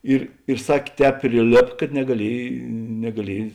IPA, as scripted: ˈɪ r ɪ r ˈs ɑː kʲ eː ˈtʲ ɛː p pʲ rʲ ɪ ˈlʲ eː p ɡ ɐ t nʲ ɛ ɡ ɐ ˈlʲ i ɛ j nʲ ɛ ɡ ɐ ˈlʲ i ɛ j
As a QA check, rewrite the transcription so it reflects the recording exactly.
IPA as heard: ˈɪ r ɪ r ˈs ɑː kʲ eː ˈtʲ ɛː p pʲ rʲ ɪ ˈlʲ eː p k ɐ t nʲ ɛ ɡ ɐ ˈlʲ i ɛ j nʲ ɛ ɡ ɐ ˈlʲ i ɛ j